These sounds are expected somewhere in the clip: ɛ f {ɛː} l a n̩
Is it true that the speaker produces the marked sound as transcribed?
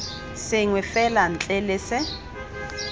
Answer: no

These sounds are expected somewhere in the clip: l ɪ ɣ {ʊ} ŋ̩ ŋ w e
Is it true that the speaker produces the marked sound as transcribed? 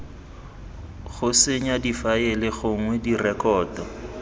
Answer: yes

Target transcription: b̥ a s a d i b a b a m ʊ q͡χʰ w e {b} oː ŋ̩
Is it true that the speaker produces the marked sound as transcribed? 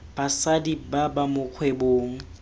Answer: yes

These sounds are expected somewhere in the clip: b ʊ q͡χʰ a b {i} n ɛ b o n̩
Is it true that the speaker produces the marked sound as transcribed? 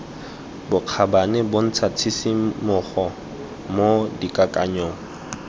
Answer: no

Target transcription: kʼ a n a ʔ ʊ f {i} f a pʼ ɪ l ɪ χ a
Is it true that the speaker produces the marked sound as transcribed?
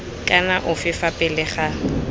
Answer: no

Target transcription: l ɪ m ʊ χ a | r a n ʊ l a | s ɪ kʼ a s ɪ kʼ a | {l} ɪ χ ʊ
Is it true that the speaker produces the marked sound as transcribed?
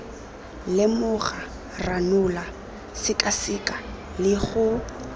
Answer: yes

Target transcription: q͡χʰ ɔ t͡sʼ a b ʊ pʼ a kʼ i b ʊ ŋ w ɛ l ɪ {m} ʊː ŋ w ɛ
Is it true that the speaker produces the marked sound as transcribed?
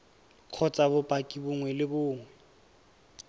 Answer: no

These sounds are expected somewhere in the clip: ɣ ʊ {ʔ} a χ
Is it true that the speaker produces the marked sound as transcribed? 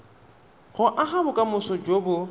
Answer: yes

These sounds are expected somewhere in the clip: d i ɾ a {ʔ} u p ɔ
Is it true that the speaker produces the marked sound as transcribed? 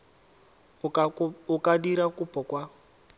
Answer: no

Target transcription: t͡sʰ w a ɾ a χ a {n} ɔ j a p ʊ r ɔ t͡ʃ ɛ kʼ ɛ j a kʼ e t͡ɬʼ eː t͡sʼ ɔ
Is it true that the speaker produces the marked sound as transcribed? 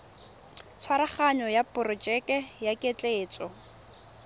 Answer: no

